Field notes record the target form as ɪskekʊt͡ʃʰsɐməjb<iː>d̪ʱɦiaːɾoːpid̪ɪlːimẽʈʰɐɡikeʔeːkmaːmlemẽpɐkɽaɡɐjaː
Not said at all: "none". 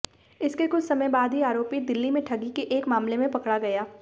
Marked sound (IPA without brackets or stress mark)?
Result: aː